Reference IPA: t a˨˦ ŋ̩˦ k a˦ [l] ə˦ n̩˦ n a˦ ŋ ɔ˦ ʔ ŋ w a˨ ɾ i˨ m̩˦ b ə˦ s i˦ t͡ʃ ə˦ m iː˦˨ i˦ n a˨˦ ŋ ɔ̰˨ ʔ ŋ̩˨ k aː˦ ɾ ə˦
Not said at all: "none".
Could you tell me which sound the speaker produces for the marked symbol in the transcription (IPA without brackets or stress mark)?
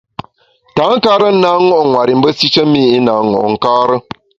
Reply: ɾ